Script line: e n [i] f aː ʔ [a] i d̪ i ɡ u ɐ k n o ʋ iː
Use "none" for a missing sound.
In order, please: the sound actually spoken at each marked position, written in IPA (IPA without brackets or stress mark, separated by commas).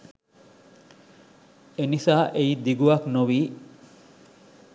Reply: i, e